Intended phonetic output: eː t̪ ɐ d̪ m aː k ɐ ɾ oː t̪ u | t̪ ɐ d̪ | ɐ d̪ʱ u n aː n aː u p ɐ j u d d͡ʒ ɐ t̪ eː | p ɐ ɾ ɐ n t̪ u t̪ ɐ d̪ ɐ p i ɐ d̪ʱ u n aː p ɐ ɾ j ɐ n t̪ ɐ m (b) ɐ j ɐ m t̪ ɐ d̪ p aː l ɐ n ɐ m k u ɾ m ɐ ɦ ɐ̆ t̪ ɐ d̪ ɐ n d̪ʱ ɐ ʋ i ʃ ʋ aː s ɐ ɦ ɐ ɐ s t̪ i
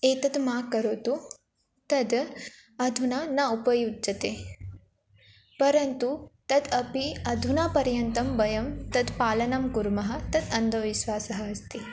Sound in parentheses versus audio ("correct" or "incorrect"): correct